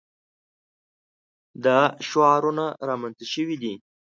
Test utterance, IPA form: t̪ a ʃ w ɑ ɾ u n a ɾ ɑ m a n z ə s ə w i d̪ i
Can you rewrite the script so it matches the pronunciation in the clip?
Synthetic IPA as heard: d̪ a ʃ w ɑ ɾ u n a ɾ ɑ m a n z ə ʃ ə w i d̪ i